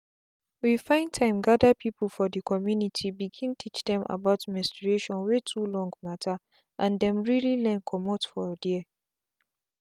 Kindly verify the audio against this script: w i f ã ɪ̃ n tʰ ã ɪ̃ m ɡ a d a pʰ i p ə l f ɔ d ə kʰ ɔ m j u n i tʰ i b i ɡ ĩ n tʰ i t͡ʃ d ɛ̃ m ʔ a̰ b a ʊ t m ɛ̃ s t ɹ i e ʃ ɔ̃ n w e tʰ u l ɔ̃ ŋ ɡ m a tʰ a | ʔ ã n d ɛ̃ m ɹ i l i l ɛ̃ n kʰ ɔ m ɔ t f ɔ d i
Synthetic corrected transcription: w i f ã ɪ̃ n tʰ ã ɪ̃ m ɡ a d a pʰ i p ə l f ɔ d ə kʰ ɔ m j u n i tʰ i b i ɡ ĩ n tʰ i t͡ʃ d ɛ̃ m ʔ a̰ b a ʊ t m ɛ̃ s t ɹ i e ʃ ɔ̃ n w e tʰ u l ɔ̃ ŋ ɡ m a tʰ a | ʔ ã n d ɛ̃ m ɹ i l i l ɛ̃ n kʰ ɔ m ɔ t f ɔ d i